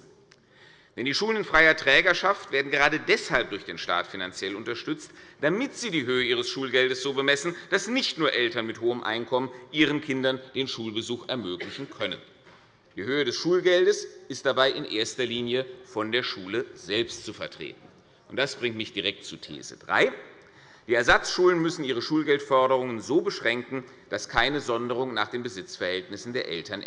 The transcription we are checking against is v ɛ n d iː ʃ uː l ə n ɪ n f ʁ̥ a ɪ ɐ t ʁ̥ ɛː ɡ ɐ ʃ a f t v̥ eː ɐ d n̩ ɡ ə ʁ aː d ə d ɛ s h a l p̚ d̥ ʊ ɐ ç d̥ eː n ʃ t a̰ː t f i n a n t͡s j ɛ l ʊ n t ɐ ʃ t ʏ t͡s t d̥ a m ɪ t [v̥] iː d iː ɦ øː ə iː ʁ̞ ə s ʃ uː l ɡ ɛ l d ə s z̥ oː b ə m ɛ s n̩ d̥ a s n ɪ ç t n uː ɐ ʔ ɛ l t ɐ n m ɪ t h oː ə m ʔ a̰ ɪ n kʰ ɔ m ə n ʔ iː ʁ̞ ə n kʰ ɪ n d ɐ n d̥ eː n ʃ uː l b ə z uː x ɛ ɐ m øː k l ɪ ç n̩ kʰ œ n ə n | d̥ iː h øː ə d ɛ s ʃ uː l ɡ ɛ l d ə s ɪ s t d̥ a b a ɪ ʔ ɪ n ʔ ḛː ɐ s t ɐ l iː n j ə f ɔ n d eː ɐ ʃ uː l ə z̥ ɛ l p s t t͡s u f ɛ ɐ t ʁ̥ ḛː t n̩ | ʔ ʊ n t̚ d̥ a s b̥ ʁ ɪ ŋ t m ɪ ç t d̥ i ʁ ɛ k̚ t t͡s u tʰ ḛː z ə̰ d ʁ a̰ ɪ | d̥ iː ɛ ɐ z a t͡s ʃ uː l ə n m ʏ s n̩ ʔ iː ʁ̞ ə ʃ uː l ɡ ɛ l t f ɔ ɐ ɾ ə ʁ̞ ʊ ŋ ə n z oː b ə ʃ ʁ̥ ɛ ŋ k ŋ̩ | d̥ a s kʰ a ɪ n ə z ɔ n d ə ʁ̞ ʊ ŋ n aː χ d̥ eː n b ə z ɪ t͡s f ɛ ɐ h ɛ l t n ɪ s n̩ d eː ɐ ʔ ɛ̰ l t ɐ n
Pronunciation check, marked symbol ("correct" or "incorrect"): incorrect